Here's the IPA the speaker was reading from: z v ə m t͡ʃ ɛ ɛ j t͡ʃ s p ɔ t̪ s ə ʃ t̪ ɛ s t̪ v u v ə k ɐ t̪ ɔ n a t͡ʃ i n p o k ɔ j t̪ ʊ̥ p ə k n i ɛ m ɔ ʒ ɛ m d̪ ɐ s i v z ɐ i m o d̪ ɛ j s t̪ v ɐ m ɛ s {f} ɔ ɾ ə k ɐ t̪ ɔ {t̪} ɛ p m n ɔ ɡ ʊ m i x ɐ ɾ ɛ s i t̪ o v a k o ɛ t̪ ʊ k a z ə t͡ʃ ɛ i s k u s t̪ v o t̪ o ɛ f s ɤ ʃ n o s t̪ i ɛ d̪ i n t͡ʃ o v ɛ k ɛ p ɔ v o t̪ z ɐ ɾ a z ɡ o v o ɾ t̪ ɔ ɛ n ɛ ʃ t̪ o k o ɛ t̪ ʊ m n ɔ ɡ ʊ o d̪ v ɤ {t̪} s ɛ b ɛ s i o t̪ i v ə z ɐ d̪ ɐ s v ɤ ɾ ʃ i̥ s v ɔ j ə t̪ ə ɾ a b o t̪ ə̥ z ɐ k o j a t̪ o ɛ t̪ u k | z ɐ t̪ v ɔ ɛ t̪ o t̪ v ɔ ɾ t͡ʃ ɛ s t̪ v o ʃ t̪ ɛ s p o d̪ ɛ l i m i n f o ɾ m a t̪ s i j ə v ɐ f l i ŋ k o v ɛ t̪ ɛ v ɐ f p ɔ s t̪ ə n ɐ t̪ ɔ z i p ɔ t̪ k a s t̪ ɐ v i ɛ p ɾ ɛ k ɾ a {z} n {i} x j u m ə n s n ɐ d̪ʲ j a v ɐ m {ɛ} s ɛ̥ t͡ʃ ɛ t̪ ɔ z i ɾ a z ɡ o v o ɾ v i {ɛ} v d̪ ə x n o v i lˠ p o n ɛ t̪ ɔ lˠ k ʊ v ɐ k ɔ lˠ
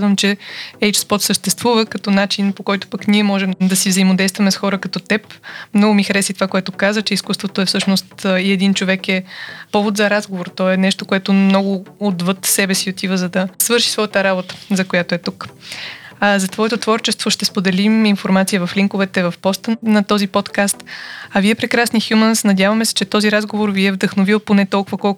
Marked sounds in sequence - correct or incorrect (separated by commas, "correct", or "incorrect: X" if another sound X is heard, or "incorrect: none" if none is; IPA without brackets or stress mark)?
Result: incorrect: x, correct, correct, incorrect: s, correct, correct, correct